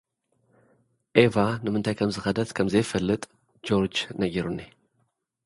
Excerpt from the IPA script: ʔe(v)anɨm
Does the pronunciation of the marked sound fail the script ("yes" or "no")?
no